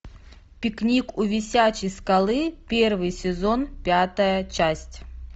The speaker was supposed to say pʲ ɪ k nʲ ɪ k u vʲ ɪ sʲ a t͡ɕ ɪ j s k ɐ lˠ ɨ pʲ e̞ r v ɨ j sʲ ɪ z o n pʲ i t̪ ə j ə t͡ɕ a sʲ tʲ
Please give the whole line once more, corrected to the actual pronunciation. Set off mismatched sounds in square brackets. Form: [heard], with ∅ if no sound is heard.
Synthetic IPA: pʲ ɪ k nʲ [i] k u vʲ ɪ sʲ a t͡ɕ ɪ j s k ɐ lˠ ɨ pʲ e̞ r v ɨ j sʲ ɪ z o n pʲ [a] t̪ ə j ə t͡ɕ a sʲ tʲ